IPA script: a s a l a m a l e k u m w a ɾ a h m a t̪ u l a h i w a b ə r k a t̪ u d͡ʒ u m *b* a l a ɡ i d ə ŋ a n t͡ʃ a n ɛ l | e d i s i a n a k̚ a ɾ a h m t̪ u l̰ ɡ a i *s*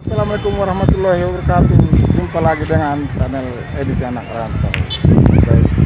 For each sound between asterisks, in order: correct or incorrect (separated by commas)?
incorrect, correct